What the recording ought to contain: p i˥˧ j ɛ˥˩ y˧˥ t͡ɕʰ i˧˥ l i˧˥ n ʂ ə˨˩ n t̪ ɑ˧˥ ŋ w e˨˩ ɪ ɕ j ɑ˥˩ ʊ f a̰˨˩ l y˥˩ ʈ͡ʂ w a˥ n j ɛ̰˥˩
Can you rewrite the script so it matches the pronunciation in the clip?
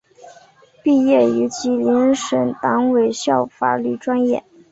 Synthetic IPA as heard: p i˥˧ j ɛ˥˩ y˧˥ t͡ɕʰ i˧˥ l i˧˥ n ʂ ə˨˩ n t̪ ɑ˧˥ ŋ w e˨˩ ɪ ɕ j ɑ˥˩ ʊ f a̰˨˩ l y˥˩ ʈ͡ʂ w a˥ n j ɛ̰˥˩